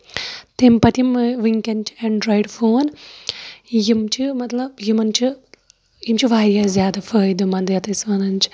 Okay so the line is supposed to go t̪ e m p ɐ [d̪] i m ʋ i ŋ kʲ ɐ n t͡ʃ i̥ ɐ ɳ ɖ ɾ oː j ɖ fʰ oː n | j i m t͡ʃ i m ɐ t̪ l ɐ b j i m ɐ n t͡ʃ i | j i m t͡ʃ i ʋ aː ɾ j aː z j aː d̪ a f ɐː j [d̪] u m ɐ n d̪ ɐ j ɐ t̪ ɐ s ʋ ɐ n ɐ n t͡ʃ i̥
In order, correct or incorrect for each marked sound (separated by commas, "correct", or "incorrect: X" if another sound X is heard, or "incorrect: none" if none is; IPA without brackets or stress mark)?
incorrect: t̪, correct